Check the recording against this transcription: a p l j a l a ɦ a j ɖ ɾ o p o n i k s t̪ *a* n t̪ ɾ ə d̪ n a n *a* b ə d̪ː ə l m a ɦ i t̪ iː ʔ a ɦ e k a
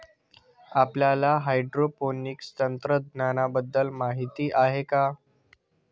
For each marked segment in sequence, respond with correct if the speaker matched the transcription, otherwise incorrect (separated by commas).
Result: incorrect, correct